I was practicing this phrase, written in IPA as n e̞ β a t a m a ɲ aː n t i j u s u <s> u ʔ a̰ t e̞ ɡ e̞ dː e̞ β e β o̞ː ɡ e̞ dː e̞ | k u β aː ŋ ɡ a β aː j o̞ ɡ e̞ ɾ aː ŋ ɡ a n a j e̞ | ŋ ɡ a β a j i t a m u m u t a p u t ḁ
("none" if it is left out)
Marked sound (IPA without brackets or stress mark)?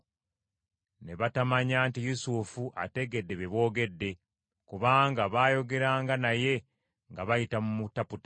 f